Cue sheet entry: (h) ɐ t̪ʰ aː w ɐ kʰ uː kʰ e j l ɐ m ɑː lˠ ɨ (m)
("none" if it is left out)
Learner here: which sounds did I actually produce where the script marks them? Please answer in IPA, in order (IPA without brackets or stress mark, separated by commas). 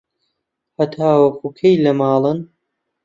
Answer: h, n